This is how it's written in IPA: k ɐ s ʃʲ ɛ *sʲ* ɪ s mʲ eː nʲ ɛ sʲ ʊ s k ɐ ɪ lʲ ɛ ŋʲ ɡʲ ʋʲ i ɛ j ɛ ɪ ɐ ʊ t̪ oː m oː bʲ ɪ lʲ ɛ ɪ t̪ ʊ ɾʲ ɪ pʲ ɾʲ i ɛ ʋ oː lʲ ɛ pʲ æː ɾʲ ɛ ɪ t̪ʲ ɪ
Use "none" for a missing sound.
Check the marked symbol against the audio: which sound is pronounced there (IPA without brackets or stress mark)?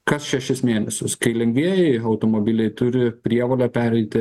ʃʲ